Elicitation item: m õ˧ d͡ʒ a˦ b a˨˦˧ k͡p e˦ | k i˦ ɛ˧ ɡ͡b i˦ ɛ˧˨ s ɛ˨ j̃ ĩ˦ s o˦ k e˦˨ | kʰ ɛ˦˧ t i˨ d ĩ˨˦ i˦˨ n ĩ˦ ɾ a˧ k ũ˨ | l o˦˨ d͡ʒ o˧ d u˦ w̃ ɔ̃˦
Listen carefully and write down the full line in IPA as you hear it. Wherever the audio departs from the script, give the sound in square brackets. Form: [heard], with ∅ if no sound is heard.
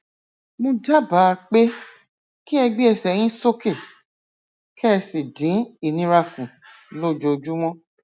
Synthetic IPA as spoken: m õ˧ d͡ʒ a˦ b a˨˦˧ k͡p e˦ | k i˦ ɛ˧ ɡ͡b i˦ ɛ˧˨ s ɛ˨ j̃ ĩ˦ s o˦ k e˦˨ | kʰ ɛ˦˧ [s] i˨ d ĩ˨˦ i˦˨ n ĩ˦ ɾ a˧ k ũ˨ | l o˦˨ d͡ʒ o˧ [d͡ʒ] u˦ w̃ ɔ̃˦